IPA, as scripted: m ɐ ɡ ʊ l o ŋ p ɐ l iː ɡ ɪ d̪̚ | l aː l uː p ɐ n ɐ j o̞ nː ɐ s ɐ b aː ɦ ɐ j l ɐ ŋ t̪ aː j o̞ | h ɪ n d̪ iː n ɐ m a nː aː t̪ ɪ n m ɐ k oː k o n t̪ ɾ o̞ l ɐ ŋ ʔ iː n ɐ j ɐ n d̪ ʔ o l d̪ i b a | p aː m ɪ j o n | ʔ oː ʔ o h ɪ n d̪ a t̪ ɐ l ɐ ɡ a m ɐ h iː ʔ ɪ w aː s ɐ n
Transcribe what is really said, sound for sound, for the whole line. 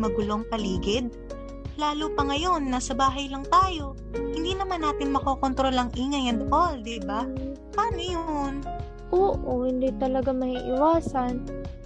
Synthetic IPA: m ɐ ɡ ʊ l o ŋ p ɐ l iː ɡ ɪ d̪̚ | l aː l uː p ɐ ŋ ɐ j o̞ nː ɐ s ɐ b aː ɦ ɐ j l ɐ ŋ t̪ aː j o̞ | h ɪ n d̪ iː n ɐ m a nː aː t̪ ɪ n m ɐ k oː k o n t̪ ɾ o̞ l ɐ ŋ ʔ iː ŋ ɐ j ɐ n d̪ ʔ o l d̪ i b a | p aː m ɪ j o n | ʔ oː ʔ o h ɪ n d̪ i t̪ ɐ l ɐ ɡ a m ɐ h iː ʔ ɪ w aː s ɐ n